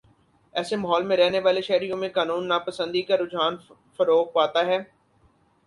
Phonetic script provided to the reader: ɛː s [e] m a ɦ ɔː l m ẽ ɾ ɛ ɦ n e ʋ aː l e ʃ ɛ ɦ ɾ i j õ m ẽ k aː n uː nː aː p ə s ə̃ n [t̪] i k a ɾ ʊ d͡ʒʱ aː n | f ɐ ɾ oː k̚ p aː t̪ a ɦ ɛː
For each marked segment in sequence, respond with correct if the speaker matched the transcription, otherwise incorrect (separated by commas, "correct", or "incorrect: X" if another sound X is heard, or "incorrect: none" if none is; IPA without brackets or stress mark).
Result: correct, incorrect: d̪